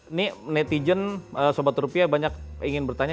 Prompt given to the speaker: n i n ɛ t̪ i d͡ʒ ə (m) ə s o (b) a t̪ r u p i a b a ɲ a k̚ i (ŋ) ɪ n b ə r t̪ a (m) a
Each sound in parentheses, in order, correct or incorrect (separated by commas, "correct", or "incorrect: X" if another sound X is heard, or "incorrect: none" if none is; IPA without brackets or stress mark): incorrect: n, correct, correct, incorrect: ɲ